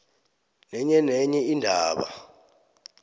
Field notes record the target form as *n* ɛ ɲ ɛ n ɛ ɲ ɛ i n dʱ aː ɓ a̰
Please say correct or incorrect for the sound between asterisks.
correct